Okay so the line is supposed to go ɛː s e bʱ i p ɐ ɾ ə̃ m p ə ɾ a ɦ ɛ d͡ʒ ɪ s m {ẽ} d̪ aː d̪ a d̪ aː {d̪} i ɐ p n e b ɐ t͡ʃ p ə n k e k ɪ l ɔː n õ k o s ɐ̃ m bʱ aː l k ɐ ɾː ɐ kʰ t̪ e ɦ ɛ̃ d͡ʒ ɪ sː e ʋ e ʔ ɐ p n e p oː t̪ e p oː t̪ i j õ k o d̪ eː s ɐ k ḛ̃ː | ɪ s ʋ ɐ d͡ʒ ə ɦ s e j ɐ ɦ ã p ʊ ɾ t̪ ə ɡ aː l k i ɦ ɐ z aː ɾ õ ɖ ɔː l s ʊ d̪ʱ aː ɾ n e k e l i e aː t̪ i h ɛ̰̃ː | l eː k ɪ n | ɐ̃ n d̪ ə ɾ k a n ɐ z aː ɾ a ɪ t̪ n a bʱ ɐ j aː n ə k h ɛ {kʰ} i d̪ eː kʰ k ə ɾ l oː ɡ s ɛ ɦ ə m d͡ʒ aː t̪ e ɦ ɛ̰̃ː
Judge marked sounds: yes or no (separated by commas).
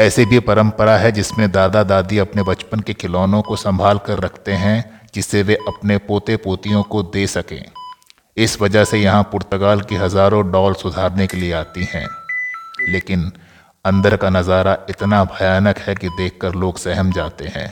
yes, yes, no